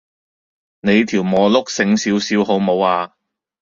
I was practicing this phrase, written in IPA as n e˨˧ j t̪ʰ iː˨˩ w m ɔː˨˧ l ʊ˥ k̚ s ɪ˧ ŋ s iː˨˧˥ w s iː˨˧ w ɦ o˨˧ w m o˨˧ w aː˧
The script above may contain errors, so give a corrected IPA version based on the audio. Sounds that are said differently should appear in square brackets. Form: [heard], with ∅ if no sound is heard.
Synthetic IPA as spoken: n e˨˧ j t̪ʰ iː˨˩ w m ɔː˨˧ l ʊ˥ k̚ s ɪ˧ ŋ s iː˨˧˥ w s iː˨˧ w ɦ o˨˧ w m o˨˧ w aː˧